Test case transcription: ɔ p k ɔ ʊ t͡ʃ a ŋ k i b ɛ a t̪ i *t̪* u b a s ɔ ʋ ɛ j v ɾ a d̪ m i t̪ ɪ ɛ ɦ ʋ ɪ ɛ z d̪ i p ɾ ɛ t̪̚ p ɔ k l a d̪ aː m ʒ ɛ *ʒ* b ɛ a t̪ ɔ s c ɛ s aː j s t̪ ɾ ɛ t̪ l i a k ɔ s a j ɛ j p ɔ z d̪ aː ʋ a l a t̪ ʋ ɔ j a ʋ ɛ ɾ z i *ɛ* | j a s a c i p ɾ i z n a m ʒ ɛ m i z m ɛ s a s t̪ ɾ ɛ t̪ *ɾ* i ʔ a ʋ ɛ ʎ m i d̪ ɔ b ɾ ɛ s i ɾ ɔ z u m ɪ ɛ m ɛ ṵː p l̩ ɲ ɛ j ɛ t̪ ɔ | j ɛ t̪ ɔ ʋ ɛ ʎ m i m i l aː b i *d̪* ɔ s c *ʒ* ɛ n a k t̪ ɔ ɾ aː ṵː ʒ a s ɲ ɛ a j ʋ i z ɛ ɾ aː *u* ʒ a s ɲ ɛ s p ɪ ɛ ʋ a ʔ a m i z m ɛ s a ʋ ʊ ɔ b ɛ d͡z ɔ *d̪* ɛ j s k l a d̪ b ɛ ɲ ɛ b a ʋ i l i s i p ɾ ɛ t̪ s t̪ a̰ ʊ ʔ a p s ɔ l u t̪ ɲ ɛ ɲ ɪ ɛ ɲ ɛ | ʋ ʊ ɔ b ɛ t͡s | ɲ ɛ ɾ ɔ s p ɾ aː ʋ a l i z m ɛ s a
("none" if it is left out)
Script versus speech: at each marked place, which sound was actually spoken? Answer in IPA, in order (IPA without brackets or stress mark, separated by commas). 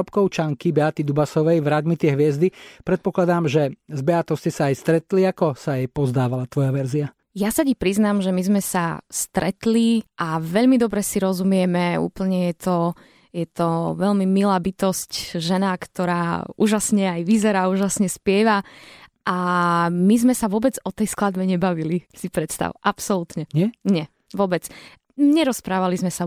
d̪, z, a, l, t̪, ʒ, uː, t̪